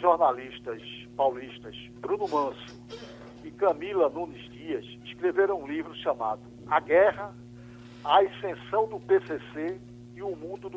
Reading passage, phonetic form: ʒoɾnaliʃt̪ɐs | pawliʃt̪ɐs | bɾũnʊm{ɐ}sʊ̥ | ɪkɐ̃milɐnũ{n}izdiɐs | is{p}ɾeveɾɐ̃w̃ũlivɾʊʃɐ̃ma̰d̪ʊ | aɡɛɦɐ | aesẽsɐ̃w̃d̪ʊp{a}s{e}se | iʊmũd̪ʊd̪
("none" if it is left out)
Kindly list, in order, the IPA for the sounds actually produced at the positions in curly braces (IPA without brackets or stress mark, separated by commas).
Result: ɐ̃, n, k, e, e